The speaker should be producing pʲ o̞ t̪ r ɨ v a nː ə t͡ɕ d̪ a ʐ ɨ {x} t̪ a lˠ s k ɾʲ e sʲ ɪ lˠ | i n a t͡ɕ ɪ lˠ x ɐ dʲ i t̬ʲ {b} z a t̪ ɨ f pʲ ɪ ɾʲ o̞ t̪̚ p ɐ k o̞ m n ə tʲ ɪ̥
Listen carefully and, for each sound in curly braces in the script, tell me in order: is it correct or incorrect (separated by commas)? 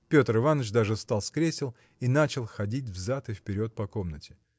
incorrect, incorrect